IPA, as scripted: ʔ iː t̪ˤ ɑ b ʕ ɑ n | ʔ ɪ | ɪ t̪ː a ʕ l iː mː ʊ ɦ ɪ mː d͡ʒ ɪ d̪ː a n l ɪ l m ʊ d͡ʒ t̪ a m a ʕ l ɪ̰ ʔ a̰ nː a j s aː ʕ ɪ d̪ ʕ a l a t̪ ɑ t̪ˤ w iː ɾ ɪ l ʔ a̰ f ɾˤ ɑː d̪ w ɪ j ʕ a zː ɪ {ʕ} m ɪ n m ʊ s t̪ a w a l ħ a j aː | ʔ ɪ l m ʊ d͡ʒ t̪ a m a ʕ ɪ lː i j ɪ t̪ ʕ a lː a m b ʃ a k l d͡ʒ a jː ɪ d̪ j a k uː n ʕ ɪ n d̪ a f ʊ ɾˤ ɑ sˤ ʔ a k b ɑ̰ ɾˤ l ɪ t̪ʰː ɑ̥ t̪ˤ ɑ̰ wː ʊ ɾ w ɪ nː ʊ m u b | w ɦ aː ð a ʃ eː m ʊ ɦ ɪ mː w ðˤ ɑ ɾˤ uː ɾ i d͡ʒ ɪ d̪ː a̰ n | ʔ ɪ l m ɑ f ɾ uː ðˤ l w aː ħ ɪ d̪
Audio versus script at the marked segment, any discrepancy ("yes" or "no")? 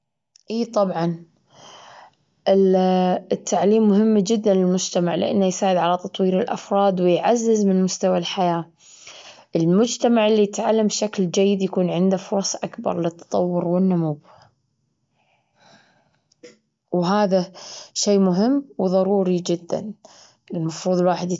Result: yes